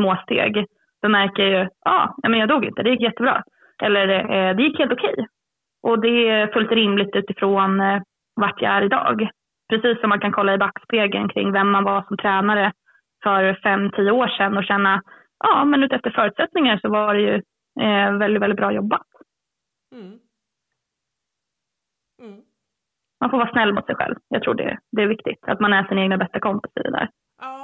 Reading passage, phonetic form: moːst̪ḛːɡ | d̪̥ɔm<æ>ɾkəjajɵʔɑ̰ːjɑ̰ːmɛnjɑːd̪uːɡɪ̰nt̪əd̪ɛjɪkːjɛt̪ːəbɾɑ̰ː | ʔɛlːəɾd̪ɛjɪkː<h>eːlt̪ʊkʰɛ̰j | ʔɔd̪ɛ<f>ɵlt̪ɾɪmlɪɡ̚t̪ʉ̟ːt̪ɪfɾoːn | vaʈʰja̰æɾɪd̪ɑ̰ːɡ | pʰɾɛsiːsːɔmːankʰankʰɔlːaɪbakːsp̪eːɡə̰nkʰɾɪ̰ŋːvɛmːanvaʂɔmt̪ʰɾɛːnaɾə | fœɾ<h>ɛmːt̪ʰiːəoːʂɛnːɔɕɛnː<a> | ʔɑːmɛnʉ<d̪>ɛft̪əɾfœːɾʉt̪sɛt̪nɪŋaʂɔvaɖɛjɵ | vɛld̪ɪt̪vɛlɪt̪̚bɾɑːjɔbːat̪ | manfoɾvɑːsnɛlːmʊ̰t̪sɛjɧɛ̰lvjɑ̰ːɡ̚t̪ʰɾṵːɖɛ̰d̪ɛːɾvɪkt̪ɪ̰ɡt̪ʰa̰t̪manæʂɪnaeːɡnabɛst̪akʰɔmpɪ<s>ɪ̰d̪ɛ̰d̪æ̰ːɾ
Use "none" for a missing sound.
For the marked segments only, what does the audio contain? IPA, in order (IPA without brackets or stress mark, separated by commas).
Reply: æ, h, f, f, a, t̪, s